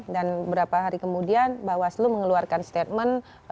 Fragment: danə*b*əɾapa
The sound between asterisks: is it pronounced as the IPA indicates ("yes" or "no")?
yes